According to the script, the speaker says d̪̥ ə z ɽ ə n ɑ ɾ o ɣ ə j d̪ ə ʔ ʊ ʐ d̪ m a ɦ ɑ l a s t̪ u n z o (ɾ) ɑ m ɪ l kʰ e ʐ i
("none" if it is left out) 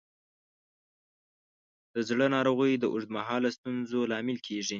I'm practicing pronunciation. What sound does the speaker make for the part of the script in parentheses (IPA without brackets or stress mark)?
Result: l